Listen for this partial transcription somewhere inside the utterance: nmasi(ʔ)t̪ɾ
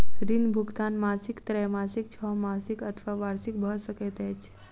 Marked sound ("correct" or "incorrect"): incorrect